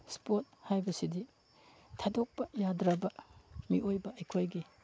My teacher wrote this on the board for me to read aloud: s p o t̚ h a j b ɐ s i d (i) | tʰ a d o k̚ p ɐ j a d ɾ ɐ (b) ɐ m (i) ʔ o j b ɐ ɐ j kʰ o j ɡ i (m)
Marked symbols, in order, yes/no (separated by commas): yes, yes, yes, no